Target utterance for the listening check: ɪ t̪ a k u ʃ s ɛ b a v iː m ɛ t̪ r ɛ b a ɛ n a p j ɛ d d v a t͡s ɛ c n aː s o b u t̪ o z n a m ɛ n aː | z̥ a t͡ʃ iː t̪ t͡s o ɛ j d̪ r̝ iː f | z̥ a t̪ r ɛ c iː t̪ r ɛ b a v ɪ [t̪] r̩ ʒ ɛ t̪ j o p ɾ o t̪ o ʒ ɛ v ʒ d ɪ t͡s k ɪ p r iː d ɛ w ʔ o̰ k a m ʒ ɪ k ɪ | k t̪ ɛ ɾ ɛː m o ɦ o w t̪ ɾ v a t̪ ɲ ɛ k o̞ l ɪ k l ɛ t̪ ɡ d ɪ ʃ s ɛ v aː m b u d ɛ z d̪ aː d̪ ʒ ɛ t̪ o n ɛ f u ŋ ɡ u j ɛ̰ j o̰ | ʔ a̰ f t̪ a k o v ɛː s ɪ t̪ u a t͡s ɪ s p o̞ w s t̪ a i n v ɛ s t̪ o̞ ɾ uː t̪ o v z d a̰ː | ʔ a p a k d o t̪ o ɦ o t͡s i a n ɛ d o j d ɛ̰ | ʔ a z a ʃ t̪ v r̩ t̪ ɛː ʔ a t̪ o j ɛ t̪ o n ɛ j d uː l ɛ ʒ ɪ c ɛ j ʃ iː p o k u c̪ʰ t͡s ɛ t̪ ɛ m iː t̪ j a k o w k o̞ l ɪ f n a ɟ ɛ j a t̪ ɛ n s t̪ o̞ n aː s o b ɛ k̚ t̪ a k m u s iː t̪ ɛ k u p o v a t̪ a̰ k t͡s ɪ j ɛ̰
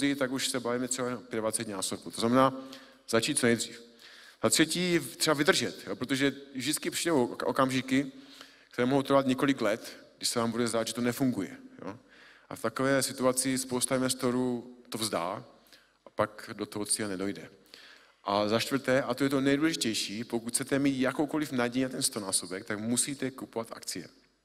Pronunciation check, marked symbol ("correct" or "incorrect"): incorrect